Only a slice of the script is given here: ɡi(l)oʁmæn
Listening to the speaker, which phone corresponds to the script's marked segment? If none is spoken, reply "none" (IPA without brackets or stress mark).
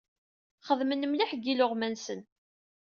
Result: l